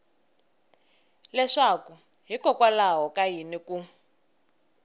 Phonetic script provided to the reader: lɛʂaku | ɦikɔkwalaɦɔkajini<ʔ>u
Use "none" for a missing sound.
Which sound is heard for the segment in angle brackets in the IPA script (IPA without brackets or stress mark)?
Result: k